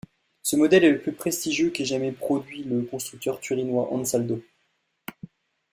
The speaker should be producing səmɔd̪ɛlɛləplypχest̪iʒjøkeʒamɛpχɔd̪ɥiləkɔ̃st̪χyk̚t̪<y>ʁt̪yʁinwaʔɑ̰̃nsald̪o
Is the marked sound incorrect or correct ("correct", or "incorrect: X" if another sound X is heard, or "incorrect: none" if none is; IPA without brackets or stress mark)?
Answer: incorrect: œ